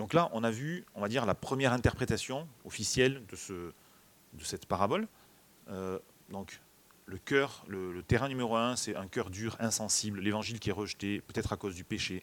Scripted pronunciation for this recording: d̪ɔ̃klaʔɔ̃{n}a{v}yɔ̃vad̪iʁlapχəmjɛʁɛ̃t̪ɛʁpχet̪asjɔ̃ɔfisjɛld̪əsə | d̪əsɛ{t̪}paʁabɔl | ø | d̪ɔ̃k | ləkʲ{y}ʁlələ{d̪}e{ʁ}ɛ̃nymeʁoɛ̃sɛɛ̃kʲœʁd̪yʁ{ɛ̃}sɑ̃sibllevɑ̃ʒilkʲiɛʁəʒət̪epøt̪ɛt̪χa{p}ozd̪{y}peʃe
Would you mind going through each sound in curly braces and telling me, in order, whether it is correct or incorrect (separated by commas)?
correct, correct, correct, incorrect, incorrect, correct, correct, incorrect, correct